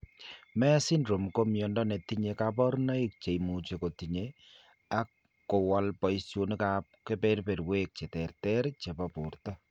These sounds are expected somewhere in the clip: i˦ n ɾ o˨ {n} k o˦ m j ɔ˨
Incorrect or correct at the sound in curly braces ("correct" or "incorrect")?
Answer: incorrect